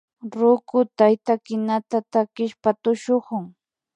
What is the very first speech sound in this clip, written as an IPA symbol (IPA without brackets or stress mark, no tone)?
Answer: ɾ